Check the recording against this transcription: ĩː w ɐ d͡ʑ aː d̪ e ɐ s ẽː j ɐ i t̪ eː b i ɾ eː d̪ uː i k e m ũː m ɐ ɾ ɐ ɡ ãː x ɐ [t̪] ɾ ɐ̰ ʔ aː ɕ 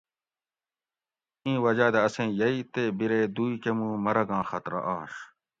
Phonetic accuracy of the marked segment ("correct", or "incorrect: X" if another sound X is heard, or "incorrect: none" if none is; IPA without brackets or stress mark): correct